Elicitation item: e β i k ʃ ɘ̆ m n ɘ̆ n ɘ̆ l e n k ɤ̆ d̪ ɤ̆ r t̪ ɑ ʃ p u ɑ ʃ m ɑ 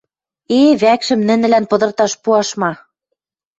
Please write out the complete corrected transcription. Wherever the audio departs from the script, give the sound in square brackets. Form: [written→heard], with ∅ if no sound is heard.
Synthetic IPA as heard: e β [i→æ] k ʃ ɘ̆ m n ɘ̆ n ɘ̆ l [e→æ] n [k→p] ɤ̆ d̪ ɤ̆ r t̪ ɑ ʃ p u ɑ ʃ m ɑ